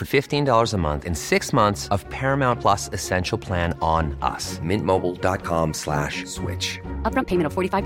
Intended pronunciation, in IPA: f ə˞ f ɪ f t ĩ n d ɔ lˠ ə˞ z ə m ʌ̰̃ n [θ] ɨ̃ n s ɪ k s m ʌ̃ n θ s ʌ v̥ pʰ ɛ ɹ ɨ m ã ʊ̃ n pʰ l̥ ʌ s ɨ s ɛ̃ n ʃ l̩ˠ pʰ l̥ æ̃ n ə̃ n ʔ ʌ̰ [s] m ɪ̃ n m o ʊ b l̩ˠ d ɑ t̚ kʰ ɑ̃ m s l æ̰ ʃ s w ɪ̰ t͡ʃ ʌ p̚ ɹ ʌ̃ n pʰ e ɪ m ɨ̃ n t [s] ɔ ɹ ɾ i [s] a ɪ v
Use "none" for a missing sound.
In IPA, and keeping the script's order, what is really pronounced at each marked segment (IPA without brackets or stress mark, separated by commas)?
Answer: θ, s, f, f